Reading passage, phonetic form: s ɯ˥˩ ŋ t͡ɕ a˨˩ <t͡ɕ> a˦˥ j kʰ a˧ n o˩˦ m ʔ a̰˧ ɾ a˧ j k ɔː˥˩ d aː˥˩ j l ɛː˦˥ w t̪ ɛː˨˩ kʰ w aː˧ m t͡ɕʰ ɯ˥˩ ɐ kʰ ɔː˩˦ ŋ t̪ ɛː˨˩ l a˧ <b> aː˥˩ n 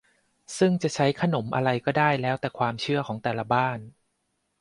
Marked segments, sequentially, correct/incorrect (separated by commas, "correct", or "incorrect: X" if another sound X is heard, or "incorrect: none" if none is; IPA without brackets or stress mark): incorrect: t͡ɕʰ, correct